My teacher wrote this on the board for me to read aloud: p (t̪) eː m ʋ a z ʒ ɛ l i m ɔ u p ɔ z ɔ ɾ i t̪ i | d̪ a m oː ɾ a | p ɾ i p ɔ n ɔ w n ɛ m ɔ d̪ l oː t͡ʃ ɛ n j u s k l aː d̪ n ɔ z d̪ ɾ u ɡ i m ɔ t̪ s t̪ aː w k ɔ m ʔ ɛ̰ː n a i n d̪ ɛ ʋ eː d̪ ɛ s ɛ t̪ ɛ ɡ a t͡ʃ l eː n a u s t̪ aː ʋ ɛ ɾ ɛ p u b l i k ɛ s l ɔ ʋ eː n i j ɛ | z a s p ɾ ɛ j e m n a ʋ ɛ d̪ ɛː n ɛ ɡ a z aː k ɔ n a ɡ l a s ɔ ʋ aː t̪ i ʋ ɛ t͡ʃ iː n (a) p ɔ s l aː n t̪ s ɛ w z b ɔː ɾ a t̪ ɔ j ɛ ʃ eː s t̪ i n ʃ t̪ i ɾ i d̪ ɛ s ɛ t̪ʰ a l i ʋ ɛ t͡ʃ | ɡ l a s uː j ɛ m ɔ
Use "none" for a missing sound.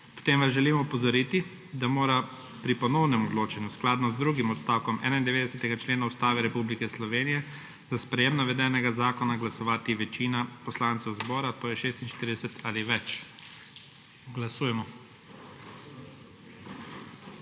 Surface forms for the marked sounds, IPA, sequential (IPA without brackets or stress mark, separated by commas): t̪, a